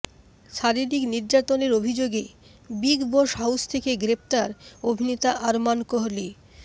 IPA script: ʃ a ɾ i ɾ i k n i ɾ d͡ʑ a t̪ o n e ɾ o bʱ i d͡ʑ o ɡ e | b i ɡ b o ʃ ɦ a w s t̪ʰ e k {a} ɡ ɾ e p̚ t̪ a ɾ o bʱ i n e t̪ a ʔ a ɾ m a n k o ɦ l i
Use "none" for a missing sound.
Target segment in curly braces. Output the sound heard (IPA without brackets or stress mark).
e